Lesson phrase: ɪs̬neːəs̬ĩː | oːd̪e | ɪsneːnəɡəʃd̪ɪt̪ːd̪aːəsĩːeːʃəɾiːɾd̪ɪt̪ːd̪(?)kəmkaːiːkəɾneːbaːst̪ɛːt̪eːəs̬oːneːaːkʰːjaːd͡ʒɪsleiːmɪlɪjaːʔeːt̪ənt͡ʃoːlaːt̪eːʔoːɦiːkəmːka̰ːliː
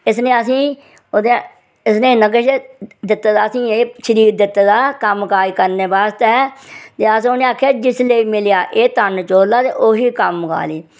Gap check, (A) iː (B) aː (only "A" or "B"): B